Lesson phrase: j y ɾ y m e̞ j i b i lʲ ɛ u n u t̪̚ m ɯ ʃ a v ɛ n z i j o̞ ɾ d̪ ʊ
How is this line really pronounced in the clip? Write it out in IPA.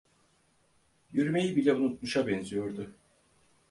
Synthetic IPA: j y ɾ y m e̞ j i b i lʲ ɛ u n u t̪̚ m u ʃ a b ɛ n z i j o̞ ɾ d̪ ʊ